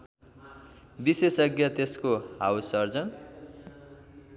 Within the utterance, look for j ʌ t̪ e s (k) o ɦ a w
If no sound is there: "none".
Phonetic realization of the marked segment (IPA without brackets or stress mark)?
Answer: k